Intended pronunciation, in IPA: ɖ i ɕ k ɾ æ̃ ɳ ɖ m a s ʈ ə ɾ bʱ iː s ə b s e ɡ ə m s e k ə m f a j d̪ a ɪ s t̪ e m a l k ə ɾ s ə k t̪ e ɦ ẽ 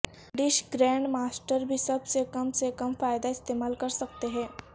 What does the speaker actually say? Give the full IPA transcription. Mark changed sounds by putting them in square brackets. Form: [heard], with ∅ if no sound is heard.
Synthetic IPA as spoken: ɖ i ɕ [ɡ] ɾ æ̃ ɳ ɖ m a s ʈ ə ɾ bʱ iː s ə b s e [k] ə m s e k ə m f a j d̪ a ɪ s t̪ e m a l k ə ɾ s ə k t̪ e ɦ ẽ

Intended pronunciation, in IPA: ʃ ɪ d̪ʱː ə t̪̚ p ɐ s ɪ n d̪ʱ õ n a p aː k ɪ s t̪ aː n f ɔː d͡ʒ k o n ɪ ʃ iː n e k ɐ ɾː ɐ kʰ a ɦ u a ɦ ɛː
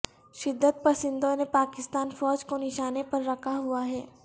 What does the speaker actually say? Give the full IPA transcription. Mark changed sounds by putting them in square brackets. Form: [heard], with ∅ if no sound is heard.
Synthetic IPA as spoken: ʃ ɪ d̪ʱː ə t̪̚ p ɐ s ɪ n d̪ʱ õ n [e] p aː k ɪ s t̪ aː n f ɔː d͡ʒ k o n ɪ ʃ [aː] n e [p] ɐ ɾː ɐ kʰ a ɦ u a ɦ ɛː

